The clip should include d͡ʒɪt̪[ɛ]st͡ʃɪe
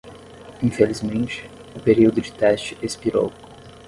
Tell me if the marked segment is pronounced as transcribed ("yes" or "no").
yes